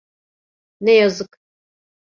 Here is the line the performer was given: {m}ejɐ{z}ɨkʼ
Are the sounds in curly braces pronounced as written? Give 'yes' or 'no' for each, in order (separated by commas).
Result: no, yes